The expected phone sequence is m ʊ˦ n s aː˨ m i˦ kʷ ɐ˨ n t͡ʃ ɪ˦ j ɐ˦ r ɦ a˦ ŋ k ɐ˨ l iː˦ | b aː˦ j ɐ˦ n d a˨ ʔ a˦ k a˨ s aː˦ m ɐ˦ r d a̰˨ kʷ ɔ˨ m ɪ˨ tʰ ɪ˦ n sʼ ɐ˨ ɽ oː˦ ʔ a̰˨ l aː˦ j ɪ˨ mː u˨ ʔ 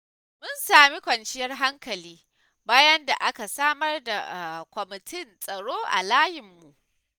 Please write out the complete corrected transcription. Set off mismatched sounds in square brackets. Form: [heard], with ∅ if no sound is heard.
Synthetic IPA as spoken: m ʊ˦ n s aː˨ m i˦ kʷ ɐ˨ n t͡ʃ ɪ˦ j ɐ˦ r ɦ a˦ ŋ k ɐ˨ l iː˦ | b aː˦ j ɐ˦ n d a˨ ʔ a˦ k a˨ s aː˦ m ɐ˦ r d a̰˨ kʷ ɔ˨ m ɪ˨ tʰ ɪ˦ n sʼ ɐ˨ ɽ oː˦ ʔ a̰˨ l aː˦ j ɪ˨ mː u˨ ʔ